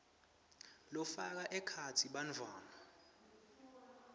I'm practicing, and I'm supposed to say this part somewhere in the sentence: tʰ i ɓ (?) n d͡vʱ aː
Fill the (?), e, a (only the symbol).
a